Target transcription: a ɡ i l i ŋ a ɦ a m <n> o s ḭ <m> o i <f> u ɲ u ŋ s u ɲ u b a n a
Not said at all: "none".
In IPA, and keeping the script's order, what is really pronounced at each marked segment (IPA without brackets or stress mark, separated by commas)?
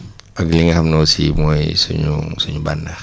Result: n, m, s